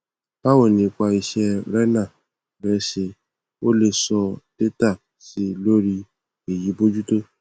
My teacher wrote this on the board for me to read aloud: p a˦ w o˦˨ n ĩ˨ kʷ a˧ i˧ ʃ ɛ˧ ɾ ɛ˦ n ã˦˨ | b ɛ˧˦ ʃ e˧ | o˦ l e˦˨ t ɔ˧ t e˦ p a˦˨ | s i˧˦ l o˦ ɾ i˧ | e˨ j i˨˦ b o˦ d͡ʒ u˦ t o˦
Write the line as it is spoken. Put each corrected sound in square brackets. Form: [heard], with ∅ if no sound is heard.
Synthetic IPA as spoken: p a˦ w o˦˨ n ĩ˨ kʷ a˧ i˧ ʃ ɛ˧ ɾ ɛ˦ n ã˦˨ | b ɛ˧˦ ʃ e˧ | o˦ l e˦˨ [s] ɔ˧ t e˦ [t] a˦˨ | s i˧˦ l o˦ ɾ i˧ | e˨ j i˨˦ b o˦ d͡ʒ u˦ t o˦